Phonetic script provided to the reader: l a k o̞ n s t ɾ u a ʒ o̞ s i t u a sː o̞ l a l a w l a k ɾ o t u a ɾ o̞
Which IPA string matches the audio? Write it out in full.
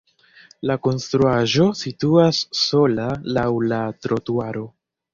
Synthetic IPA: l a k o̞ n s t ɾ u a ʒ o̞ s i t u a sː o̞ l a l a w l a t ɾ o t u a ɾ o̞

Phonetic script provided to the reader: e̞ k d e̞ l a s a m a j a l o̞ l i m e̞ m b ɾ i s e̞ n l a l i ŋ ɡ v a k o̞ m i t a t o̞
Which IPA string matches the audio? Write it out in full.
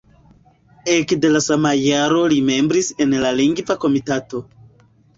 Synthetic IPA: e̞ k d e̞ l a s a m a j a ɾ o̞ l i m e̞ m b ɾ i s e̞ n l a l i ŋ ɡ v a k o̞ m i t a t o̞

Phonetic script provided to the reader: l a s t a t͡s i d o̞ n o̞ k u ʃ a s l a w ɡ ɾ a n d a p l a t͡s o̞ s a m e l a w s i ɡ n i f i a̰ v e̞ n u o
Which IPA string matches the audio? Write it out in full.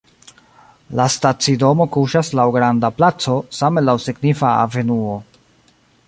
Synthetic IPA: l a s t a t͡s i d o̞ m o̞ k u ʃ a s l a w ɡ ɾ a n d a p l a t͡s o̞ s a m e l a w s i ɡ n i f a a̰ v e̞ n u o

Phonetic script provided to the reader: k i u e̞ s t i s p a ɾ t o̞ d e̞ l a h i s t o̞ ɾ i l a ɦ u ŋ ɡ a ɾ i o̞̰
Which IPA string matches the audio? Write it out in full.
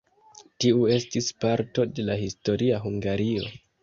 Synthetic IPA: t i u e̞ s t i s p a ɾ t o̞ d e̞ l a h i s t o̞ ɾ i a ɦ u ŋ ɡ a ɾ i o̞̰

